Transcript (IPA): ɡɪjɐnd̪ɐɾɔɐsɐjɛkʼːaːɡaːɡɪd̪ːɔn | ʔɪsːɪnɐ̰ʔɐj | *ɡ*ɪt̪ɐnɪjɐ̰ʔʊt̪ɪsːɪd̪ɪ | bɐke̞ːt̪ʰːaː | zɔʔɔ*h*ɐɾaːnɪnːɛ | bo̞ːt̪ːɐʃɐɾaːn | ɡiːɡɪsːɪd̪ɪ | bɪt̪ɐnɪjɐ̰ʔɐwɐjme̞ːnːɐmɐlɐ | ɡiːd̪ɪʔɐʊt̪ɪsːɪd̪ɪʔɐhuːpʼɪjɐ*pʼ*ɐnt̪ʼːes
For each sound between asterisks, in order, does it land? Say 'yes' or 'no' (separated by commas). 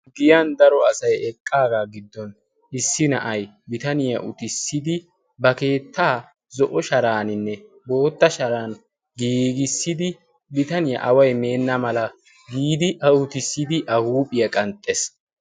no, no, no